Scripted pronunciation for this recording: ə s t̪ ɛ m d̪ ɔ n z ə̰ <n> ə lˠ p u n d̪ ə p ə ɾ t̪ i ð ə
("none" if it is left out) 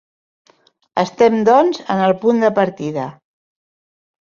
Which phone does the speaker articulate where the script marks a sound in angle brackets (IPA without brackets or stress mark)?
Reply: n